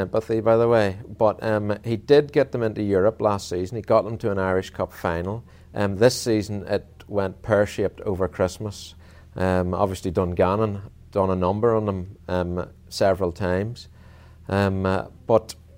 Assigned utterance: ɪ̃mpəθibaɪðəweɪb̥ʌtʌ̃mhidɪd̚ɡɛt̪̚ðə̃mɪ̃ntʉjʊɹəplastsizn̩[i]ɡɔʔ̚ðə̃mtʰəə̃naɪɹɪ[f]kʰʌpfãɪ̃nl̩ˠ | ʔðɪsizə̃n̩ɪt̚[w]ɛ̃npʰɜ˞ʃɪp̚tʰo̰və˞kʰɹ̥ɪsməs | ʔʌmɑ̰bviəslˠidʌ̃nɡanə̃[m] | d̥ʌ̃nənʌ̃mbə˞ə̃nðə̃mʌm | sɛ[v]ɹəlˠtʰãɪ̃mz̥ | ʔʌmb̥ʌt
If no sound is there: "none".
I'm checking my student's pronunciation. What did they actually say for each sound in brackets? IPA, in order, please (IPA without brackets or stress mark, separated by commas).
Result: i, ʃ, w, n, v